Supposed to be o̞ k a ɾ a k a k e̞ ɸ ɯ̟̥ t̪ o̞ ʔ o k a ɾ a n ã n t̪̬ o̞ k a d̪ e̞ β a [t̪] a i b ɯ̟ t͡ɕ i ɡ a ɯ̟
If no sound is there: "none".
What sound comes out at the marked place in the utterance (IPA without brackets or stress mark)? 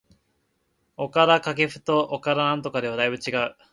d̪